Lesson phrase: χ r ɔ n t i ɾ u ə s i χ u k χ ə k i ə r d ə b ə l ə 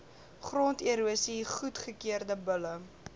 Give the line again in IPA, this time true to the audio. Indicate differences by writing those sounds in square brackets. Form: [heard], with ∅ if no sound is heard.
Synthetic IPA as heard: χ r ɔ n t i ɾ u ə s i χ u [t] χ ə k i ə r d ə b ə l ə